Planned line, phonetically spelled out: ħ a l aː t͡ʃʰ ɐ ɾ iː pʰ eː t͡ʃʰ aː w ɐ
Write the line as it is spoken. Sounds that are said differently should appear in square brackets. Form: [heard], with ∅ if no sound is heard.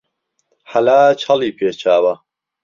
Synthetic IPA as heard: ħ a l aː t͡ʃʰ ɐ [l] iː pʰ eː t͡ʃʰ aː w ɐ